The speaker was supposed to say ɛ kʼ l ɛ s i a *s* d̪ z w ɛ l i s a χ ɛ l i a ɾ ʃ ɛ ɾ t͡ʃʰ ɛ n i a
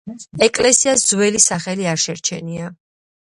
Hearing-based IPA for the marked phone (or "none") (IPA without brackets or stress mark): s